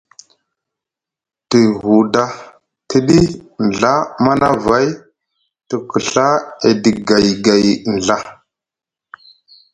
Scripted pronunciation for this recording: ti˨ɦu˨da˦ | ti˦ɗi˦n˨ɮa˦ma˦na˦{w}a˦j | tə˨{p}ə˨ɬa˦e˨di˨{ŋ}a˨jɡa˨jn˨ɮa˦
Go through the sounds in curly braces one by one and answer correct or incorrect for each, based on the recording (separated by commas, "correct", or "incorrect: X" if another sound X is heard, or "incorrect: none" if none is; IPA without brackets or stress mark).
incorrect: v, incorrect: k, incorrect: ɡ